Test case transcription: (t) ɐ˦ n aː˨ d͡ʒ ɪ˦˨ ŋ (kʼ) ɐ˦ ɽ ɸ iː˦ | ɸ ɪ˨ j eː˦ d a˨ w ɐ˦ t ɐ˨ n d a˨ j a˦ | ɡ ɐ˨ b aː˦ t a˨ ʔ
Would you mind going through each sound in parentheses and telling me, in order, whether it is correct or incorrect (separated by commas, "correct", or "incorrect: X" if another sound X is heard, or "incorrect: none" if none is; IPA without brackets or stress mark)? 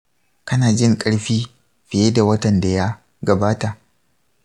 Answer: incorrect: k, correct